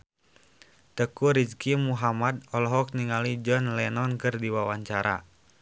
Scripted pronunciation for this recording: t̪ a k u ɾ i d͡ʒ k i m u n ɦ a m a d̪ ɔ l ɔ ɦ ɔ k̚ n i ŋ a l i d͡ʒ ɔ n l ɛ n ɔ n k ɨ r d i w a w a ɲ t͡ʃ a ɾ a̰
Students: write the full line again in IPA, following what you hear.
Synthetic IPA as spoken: t̪ ə k u ɾ i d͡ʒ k i m u ɦ a m a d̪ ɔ l ɔ ɦ ɔ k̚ n i ŋ a l i d͡ʒ ɔ n l ɛ n ɔ n k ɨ r d i w a w a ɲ t͡ʃ a ɾ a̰

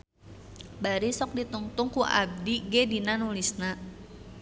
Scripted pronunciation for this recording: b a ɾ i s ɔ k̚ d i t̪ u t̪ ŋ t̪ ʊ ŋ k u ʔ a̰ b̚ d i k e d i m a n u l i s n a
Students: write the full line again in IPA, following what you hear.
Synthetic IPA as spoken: b a ɾ i s ɔ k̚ d i t̪ u ŋ t̪ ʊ ŋ k u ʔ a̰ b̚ d i ɡ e d i n a n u l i s n a

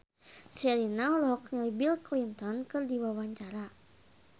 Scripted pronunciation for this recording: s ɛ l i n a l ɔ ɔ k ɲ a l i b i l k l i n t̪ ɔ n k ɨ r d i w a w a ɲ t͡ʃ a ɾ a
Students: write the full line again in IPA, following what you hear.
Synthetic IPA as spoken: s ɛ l i n a l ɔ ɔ k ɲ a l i b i l k l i n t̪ ɔ n k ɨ r d i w a w a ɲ t͡ʃ a ɾ a

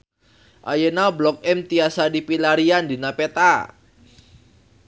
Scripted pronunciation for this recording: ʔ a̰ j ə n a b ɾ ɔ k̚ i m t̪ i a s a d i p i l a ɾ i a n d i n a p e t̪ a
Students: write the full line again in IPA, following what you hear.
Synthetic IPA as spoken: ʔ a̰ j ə n a b l ɔ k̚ ɛ m t̪ i a s a d i p i l a ɾ i a n d i n a p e t̪ a

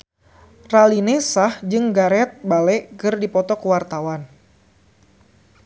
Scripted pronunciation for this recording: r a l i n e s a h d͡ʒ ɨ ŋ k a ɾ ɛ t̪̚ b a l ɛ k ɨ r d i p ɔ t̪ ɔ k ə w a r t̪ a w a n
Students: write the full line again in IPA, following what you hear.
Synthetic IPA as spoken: r a l i n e s a h d͡ʒ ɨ ŋ ɡ a ɾ ɛ t̪̚ b a l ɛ k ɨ r d i p ɔ t̪ ɔ k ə w a r t̪ a w a n

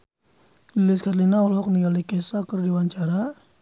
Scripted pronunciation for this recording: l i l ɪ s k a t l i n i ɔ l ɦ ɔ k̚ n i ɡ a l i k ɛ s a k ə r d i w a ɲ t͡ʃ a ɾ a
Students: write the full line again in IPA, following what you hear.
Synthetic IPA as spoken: l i l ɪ s k a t l i n a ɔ l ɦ ɔ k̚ n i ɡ a l i k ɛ s a k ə r d i w a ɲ t͡ʃ a ɾ a

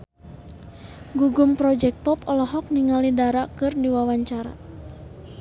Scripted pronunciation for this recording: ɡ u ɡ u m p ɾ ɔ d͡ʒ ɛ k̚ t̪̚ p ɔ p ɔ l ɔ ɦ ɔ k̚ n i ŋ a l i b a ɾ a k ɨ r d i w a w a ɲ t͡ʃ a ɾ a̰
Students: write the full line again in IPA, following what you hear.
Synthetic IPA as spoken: ɡ u ɡ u m p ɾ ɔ d͡ʒ ɛ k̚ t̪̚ p ɔ p ɔ l ɔ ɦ ɔ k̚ n i ŋ a l i d a ɾ a k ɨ r d i w a w a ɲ t͡ʃ a ɾ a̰

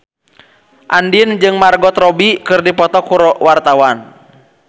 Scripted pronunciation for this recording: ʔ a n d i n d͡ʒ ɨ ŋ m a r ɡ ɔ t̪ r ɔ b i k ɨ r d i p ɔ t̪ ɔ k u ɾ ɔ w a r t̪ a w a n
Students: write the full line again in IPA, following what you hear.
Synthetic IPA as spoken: ʔ a n d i n d͡ʒ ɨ ŋ m a r ɡ ɔ t̪ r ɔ b i k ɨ r d i p ɔ t̪ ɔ k u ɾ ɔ w a r t̪ a w a n

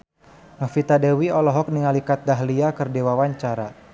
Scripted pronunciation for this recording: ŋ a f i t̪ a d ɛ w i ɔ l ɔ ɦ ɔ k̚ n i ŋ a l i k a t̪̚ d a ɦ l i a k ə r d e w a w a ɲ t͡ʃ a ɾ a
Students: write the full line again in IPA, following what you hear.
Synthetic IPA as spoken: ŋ a f i t̪ a d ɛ w i ɔ l ɔ ɦ ɔ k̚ n i ŋ a l i k a t̪̚ d a ɦ l i a k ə r d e w a w a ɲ t͡ʃ a ɾ a

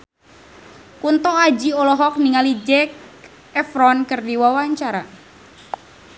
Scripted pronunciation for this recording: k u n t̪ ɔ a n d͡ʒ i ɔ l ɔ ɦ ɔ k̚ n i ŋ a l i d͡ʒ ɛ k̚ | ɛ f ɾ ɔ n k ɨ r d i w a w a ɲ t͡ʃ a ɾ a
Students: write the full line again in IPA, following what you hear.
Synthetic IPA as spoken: k u n t̪ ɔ a d͡ʒ i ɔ l ɔ ɦ ɔ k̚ n i ŋ a l i d͡ʒ ɛ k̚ | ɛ f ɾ ɔ n k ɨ r d i w a w a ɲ t͡ʃ a ɾ a

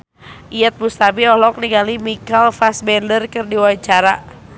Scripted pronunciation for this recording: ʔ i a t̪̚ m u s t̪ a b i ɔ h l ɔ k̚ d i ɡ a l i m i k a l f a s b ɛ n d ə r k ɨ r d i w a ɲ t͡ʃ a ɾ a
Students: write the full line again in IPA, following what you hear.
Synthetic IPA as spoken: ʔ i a t̪̚ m u s t̪ a b i ɔ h l ɔ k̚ n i ɡ a l i m i k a l f a s b ɛ n d ə r k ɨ r d i w a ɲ t͡ʃ a ɾ a

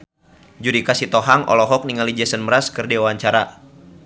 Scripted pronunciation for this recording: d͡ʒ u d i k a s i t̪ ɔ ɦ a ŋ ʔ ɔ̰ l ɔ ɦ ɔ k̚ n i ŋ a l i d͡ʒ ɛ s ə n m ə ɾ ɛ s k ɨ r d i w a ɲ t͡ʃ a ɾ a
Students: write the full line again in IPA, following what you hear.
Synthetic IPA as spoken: d͡ʒ u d i k a s i t̪ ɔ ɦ a ŋ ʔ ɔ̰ l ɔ ɦ ɔ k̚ n i ŋ a l i d͡ʒ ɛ s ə n m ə ɾ a s k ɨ r d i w a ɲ t͡ʃ a ɾ a

